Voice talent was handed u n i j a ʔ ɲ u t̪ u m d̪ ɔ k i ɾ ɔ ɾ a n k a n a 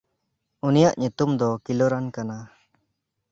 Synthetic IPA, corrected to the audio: u n i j a ʔ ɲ u t̪ u m d̪ ɔ k i l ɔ ɾ a n k a n a